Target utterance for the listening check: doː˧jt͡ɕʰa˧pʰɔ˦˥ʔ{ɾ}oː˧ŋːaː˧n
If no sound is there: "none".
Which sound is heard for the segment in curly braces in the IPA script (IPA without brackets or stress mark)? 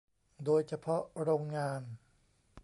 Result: ɾ